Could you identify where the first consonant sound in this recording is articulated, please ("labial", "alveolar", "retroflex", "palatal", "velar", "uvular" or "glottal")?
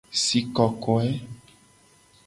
alveolar